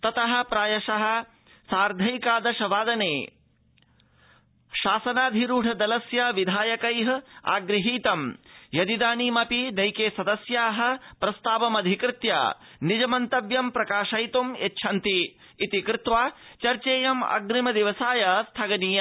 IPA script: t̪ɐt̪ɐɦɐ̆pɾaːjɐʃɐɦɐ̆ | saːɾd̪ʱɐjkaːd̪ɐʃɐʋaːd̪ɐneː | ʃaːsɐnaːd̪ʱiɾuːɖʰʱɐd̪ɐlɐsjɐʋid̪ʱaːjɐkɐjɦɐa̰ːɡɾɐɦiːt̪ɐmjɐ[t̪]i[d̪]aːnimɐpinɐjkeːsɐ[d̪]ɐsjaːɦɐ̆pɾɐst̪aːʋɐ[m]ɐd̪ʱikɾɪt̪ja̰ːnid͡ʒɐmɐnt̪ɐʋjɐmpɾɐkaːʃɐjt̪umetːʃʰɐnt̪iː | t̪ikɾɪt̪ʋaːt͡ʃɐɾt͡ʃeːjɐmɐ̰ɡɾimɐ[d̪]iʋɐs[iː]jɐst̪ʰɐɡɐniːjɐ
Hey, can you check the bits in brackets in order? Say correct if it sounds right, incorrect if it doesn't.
incorrect, correct, correct, correct, correct, incorrect

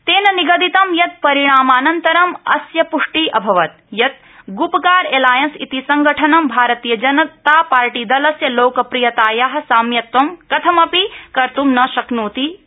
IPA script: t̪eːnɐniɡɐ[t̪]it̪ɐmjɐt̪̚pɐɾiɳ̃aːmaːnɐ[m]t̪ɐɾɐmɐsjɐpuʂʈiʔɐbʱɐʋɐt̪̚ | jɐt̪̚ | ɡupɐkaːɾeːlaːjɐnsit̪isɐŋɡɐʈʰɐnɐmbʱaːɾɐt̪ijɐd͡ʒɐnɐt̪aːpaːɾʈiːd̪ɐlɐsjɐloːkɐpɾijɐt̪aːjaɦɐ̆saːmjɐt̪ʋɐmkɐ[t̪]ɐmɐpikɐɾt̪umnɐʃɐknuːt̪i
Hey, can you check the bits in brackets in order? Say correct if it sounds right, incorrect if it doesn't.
incorrect, incorrect, incorrect

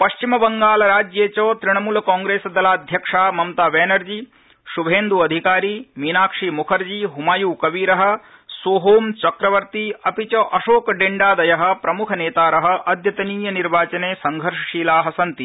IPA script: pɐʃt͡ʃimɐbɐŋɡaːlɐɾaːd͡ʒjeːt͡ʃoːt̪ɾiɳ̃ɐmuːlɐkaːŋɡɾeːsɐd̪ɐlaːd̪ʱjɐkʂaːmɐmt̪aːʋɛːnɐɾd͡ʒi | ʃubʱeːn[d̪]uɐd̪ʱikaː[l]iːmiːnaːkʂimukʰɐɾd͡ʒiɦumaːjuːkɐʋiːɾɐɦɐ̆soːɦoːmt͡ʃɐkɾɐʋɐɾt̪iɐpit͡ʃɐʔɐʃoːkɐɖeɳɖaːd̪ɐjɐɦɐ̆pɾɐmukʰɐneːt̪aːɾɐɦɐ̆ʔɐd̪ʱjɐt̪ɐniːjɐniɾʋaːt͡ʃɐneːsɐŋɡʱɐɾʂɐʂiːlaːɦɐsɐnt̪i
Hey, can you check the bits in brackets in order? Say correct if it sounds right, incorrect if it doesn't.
correct, incorrect

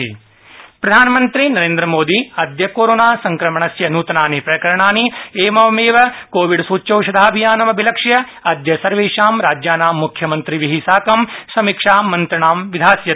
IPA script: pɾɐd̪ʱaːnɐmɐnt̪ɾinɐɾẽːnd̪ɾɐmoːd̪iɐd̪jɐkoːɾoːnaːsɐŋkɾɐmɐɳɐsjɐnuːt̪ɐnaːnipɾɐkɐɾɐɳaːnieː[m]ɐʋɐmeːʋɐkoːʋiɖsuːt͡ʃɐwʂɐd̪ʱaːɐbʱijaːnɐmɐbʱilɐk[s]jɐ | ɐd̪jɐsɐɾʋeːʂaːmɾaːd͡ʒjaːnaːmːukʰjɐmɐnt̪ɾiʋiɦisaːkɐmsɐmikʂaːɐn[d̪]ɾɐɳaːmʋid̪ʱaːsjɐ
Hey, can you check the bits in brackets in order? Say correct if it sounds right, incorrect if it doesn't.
correct, incorrect, incorrect

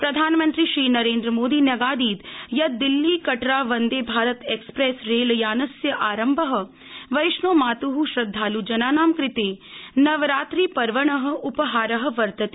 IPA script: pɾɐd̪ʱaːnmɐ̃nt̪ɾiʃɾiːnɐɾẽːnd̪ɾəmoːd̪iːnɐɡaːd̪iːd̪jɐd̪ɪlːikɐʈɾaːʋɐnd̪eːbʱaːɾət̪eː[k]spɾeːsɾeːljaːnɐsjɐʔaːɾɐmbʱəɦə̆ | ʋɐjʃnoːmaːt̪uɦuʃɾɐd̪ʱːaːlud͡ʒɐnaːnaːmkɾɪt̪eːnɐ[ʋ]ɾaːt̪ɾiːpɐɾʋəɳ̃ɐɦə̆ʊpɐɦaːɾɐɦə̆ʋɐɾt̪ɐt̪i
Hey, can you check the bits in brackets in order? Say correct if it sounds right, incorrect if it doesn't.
correct, correct

